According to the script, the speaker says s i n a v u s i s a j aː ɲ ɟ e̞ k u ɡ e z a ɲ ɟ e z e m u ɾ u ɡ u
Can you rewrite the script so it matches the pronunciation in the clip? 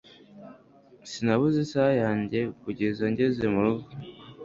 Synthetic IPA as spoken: s i n a β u z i s a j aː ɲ ɟ e̞ k u ɟ e z a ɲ ɟ e z e m u ɾ u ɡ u